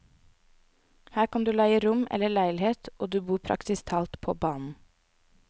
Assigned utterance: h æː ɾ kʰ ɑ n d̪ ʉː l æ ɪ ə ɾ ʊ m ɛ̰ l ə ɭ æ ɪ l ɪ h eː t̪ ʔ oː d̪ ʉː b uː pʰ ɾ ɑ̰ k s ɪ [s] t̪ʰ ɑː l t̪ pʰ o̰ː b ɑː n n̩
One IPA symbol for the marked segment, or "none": s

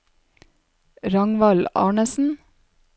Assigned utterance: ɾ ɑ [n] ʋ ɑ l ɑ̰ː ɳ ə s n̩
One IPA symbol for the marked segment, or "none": ŋ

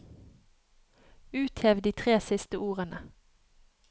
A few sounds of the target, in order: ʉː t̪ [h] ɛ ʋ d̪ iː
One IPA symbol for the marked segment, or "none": h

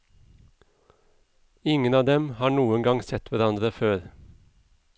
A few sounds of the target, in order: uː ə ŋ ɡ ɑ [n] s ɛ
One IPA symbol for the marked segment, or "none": ŋ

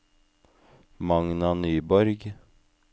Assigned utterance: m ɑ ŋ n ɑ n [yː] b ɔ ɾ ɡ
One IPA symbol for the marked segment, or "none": yː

